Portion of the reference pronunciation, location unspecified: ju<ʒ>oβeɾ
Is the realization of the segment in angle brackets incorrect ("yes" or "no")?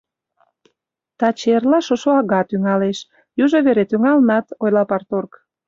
no